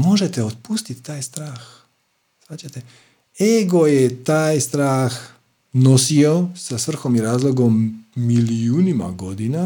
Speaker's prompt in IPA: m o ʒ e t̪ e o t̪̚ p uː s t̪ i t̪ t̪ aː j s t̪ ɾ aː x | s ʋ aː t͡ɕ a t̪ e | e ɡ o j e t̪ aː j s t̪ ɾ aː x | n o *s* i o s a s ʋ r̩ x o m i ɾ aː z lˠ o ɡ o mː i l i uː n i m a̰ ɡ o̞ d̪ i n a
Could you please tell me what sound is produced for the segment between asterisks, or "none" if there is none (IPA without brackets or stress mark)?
s